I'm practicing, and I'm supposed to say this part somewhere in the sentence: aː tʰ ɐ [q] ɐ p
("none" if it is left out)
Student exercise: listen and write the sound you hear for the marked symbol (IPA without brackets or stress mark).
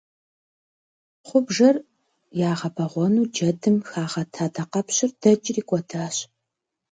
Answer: q